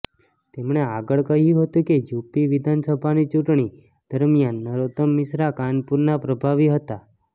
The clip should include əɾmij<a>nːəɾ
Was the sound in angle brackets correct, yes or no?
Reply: yes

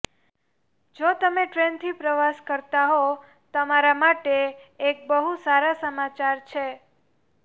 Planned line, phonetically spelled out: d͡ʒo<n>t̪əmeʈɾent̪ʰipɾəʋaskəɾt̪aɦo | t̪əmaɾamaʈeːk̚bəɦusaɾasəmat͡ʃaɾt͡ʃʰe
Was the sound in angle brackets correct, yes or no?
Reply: no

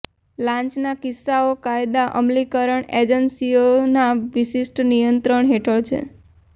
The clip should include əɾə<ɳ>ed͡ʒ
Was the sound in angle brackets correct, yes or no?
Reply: yes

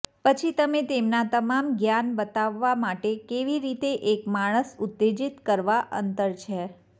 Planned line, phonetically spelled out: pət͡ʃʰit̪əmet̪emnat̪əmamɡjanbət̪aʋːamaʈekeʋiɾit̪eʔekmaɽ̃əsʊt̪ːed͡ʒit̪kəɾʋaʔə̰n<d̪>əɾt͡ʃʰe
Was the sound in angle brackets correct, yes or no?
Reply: no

